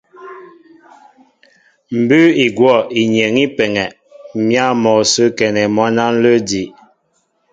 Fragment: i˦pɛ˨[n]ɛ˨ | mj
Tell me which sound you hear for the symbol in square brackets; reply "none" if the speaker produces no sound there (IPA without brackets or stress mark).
ŋ